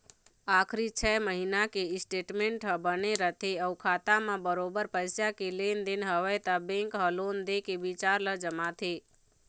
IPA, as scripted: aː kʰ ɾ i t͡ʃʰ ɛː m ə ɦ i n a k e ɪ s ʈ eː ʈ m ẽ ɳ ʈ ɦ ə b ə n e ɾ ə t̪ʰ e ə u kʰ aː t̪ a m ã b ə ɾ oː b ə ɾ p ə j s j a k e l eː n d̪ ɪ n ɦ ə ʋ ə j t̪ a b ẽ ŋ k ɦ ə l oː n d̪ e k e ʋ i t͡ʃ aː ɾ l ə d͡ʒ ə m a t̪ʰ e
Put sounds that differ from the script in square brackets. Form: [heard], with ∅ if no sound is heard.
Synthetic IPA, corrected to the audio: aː kʰ ɾ i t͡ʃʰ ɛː m ə ɦ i n a k e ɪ s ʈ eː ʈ m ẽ ɳ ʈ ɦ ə b ə n e ɾ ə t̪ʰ e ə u kʰ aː t̪ a m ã b ə ɾ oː b ə ɾ p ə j s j a k e l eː n d̪ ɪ n ɦ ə ʋ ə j t̪ a b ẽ ŋ k ɦ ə l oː n d̪ e k e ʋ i t͡ʃ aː ɾ l ə d͡ʒ ə m a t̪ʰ e